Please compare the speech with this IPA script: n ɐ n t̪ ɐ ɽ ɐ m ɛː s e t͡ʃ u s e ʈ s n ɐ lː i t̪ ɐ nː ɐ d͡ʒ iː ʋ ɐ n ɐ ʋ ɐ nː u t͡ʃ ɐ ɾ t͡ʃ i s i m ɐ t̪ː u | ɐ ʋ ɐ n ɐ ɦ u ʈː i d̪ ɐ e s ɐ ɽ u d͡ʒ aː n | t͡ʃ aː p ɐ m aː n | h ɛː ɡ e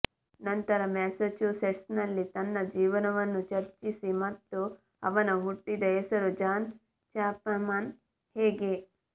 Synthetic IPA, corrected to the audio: n ɐ n t̪ ɐ ɾ ɐ m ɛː s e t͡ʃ u s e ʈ s n ɐ lː i t̪ ɐ nː ɐ d͡ʒ iː ʋ ɐ n ɐ ʋ ɐ nː u t͡ʃ ɐ ɾ t͡ʃ i s i m ɐ t̪ː u | ɐ ʋ ɐ n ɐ ɦ u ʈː i d̪ ɐ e s ɐ ɾ u d͡ʒ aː n | t͡ʃ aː p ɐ m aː n | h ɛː ɡ e